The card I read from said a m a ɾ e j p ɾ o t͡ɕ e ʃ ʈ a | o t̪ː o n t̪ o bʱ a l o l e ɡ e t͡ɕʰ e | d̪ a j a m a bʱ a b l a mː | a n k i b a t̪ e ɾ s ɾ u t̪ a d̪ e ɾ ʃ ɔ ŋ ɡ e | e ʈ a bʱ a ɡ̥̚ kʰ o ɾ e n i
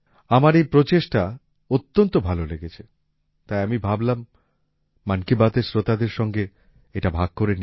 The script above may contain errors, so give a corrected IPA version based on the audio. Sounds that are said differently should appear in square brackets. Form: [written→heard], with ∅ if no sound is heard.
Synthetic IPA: a m a ɾ e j p ɾ o t͡ɕ e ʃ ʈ a | o t̪ː o n t̪ o bʱ a l o l e ɡ e t͡ɕʰ e | [d̪→t̪] a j a m [a→i] bʱ a b l a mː | a n k i b a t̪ e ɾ s ɾ [u→o] t̪ a d̪ e ɾ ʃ ɔ ŋ ɡ e | e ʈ a bʱ a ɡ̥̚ [kʰ→k] o ɾ e n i